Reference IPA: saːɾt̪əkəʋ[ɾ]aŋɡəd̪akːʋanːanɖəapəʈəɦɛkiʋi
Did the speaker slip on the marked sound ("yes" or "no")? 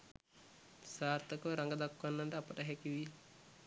no